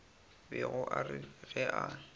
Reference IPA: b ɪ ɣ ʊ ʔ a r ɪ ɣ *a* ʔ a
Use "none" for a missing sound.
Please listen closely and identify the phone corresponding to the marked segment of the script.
ɛ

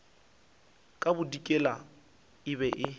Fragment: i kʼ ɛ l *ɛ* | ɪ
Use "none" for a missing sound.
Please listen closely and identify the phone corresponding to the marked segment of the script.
a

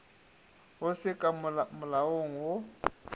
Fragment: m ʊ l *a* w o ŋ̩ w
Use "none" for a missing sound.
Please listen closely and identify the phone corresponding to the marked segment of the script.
a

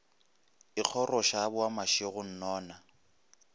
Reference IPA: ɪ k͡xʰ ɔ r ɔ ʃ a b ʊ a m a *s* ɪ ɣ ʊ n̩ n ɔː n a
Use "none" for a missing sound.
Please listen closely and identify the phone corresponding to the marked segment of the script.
ʃ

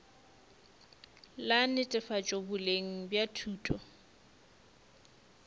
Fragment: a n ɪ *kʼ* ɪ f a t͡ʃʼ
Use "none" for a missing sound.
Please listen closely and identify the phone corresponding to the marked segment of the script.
tʼ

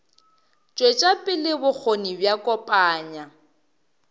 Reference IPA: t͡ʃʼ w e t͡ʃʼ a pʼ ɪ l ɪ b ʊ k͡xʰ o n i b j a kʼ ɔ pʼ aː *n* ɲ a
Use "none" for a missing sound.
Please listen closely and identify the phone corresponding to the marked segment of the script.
none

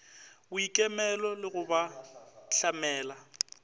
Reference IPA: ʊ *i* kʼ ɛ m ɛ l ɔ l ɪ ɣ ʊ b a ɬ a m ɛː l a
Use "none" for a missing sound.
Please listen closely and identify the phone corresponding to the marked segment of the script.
i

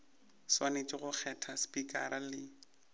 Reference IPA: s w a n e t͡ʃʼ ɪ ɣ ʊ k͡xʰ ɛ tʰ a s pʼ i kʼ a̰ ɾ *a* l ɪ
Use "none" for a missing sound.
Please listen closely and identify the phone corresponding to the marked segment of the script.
a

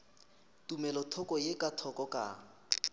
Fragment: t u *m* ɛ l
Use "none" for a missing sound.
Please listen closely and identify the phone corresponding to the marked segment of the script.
m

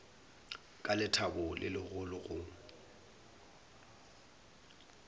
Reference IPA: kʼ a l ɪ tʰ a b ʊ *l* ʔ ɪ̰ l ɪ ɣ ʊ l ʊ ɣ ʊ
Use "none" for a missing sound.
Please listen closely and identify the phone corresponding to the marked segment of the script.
l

